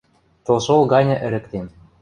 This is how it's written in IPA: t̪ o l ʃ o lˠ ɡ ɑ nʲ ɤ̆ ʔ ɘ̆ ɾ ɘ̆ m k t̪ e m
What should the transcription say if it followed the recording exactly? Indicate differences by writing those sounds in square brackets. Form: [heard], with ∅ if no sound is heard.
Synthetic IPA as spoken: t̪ o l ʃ o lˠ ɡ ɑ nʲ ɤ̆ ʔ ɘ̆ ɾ ɘ̆ [∅] k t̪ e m

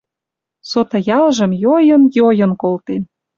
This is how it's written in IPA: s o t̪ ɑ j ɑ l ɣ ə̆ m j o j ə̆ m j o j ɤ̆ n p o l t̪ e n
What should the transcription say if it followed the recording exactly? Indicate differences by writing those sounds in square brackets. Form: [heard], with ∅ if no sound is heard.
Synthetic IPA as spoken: s o t̪ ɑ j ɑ l [ʒ] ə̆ m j o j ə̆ [n] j o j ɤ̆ n [k] o l t̪ e n

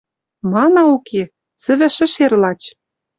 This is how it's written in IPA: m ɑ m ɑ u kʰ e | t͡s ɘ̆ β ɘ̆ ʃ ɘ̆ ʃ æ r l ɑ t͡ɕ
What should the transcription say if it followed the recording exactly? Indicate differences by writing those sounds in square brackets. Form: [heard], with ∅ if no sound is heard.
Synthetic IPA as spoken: m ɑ [n] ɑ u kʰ e | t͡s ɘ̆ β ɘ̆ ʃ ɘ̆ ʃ [e] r l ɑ t͡ɕ

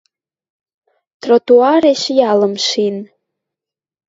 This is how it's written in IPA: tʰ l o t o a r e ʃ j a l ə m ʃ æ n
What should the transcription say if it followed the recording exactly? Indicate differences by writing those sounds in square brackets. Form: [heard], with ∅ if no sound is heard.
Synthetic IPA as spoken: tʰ [r] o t [u] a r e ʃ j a l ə m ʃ [i] n

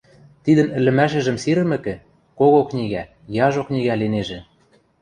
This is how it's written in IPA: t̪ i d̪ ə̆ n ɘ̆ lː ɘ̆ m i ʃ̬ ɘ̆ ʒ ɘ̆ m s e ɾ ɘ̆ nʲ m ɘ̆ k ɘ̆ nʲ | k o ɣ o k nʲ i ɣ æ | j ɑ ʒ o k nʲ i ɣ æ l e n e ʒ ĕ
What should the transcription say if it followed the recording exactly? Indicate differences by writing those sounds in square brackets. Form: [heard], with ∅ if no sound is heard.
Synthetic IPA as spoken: t̪ i d̪ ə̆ n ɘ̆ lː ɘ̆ m [æ] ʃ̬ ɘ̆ ʒ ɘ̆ m s [i] ɾ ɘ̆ [∅] m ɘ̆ k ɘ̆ [∅] | k o ɣ o k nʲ i ɣ æ | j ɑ ʒ o k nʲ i ɣ æ l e n e ʒ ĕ

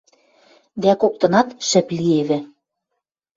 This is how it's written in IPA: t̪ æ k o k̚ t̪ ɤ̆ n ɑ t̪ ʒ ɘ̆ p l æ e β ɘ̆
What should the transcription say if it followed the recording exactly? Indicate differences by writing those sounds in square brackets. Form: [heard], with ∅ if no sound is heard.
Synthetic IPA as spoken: [d̪] æ k o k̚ t̪ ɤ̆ n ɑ t̪ [ʃ] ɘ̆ p l [i] e β ɘ̆

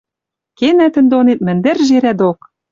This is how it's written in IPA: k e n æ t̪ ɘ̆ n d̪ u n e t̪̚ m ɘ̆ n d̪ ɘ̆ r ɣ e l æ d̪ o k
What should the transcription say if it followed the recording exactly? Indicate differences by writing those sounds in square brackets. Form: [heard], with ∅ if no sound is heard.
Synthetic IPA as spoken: k e n æ t̪ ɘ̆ n d̪ [o] n e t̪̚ m ɘ̆ n d̪ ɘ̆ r [ʒ] e [ɾ] æ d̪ o k

